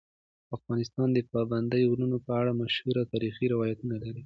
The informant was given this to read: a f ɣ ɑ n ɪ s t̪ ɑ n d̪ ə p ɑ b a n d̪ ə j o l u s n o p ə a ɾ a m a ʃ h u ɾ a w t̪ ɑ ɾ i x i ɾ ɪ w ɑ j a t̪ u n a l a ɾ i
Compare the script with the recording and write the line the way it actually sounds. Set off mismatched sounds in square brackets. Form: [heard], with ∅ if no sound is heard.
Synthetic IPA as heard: a f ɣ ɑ n ɪ s t̪ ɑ n d̪ ə p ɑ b a n d̪ ə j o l u [∅] n o p ə a [ɽ] a m a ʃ h u ɾ a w t̪ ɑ ɾ i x i ɾ ɪ w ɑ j a t̪ u n a l a ɾ i